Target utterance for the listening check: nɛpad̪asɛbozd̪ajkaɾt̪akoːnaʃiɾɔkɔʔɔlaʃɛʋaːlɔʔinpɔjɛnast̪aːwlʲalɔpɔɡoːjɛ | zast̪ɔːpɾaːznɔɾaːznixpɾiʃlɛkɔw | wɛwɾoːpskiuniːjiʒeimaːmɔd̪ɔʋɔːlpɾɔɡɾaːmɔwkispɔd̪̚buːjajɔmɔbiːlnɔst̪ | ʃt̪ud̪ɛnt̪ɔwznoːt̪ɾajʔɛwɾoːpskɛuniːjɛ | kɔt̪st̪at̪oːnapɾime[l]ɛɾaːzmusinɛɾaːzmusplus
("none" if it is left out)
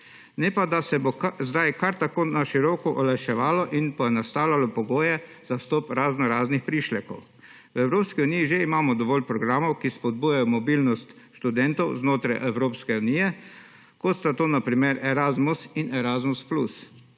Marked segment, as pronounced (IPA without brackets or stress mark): ɾ